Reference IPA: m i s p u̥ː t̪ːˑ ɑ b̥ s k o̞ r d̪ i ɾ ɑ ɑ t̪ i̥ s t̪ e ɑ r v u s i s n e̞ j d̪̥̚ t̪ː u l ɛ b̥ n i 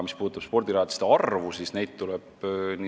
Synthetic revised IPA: m i s p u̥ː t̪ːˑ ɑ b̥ s p o̞ r d̪ i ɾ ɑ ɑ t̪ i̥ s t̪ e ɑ r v u s i s n e̞ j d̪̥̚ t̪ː u l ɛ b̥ n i